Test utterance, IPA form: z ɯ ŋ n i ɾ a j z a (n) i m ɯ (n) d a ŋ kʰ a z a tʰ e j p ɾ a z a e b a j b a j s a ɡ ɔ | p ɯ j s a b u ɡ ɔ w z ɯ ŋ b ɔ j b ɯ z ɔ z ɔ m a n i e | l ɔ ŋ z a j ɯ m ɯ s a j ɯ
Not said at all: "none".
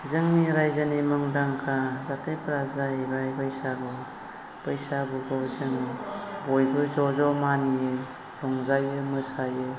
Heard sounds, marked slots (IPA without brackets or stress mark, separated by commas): n, ŋ